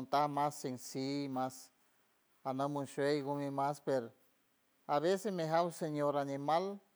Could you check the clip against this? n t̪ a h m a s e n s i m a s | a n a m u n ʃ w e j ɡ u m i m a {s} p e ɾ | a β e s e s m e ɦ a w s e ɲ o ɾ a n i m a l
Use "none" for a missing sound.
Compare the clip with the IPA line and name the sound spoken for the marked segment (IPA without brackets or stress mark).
s